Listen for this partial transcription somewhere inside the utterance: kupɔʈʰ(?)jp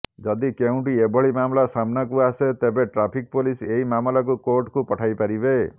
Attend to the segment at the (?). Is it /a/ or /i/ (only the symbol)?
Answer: a